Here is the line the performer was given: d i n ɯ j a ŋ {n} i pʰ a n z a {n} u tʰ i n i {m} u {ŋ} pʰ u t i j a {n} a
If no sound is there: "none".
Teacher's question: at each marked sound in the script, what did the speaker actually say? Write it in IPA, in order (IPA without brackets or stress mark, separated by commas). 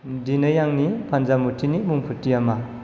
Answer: n, m, m, ŋ, m